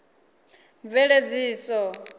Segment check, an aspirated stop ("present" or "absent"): absent